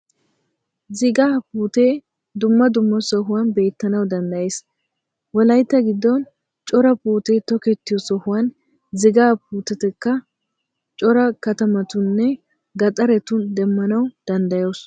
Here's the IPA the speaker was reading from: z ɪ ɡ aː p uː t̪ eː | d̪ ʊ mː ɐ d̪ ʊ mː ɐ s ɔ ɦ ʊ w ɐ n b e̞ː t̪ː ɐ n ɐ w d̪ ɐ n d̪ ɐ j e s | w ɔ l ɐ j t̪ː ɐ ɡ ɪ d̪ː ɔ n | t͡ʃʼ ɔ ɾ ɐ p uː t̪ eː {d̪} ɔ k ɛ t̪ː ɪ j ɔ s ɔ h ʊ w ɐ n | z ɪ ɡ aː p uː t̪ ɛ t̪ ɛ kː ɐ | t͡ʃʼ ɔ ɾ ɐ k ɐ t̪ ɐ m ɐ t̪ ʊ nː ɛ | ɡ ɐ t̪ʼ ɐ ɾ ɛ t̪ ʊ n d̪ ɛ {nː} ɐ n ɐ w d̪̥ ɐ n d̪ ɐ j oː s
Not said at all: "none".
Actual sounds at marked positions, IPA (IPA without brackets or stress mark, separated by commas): t̪, mː